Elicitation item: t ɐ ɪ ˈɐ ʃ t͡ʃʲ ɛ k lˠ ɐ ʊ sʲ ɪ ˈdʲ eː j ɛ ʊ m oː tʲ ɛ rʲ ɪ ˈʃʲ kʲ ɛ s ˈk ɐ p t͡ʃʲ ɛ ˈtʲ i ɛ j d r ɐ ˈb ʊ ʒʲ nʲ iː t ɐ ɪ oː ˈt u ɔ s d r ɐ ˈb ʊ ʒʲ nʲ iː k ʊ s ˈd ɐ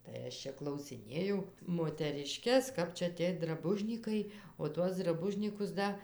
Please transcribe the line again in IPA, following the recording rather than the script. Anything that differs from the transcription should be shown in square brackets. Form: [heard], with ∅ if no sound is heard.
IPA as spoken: t ɐ ɪ ˈɐ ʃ t͡ʃʲ ɛ k lˠ ɐ ʊ sʲ ɪ [ˈnʲ] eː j ɛ ʊ m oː tʲ ɛ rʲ ɪ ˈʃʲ kʲ ɛ s ˈk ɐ p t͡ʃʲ ɛ ˈtʲ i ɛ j d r ɐ ˈb ʊ ʒʲ nʲ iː [k] ɐ ɪ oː ˈt u ɔ s d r ɐ ˈb ʊ ʒʲ nʲ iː k ʊ s ˈd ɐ